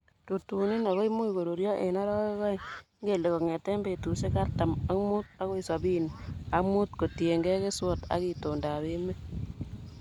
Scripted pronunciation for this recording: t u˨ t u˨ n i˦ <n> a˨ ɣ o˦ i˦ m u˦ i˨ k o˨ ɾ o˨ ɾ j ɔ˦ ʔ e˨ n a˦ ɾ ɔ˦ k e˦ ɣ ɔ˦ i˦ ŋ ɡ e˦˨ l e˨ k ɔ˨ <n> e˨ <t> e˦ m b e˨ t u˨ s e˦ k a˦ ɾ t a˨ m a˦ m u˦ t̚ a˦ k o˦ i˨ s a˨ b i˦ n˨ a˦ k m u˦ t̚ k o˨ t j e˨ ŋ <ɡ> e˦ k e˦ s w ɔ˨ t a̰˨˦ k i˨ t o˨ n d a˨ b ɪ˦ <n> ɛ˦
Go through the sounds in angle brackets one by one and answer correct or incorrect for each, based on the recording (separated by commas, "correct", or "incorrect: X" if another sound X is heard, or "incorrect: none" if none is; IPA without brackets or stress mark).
correct, incorrect: ŋ, correct, correct, incorrect: m